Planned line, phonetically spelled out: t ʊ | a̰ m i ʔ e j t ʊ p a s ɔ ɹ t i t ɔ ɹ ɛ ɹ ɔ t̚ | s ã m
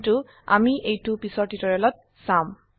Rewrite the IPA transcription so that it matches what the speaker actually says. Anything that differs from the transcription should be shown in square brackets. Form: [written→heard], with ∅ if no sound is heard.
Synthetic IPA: t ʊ | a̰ m i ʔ e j t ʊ p [a→i] s ɔ ɹ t i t ɔ ɹ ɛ [ɹ→l] ɔ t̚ | s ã m